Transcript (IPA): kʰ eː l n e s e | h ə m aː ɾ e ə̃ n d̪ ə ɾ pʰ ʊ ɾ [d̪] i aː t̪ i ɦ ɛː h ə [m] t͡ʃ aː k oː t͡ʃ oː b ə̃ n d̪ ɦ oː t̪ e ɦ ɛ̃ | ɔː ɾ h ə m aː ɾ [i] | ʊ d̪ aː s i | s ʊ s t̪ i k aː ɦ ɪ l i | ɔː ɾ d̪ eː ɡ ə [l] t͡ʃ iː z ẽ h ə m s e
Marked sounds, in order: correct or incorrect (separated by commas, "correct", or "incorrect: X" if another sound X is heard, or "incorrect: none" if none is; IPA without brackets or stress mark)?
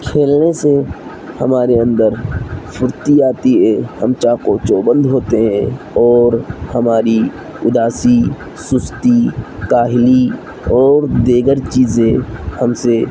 incorrect: t̪, correct, correct, incorrect: ɾ